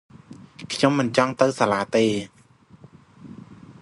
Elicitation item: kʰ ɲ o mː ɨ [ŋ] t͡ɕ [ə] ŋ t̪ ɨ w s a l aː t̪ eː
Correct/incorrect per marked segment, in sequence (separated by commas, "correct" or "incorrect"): incorrect, incorrect